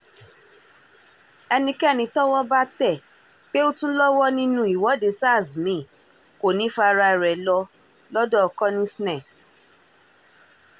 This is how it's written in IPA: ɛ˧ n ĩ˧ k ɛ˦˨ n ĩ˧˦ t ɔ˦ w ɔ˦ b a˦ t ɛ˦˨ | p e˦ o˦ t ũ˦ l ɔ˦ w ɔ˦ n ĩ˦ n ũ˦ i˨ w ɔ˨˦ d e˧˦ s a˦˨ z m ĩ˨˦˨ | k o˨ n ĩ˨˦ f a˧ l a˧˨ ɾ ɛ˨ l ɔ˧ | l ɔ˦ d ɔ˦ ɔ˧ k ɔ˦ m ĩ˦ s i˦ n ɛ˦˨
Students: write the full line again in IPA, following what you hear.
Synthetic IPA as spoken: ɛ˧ n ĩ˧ k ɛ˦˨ n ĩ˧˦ t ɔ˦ w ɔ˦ b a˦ t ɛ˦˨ | k͡p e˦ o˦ t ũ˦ l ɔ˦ w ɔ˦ n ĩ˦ n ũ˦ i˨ w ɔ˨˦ d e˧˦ s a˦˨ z m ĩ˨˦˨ | k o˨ n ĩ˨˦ f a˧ ɾ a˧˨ ɾ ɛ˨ l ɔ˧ | l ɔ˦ d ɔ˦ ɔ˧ k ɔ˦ n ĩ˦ s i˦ n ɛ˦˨